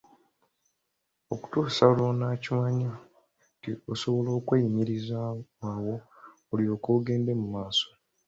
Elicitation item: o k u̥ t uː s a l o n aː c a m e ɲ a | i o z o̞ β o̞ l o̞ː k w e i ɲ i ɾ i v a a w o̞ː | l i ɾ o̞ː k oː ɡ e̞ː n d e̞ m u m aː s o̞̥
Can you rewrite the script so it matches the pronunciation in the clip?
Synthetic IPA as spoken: o k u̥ t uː s a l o n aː c i m a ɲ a | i o s o̞ β o̞ l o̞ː k w e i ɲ i ɾ i z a a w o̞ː | l i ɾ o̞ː k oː ɡ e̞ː n d e̞ m u m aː s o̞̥